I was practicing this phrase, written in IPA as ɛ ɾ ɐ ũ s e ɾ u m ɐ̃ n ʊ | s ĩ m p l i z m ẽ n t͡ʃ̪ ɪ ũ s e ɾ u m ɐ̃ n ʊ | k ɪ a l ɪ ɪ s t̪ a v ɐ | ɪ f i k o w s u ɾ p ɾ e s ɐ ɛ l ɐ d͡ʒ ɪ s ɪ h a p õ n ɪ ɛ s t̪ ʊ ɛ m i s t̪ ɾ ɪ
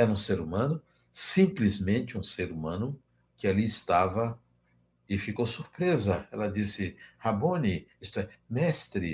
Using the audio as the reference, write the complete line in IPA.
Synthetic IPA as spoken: ɛ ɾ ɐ ũ s e ɾ u m ɐ̃ n ʊ | s ĩ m p l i z m ẽ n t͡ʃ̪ ɪ ũ s e ɾ u m ɐ̃ n ʊ | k ɪ a l i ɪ s t̪ a v ɐ | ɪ f i k o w s u ɾ p ɾ e z ɐ ɛ l ɐ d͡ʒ i s ɪ h a b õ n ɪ i s t̪ ʊ ɛ m ɛ s t̪ ɾ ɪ